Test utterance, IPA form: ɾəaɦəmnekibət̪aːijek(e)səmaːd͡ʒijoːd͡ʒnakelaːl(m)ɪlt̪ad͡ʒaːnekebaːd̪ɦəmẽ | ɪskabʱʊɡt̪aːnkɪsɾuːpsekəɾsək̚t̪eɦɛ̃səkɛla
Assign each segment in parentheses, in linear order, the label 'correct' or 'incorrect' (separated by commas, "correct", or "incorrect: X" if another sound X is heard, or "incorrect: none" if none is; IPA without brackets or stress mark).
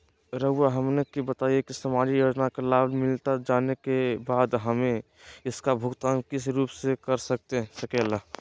incorrect: i, correct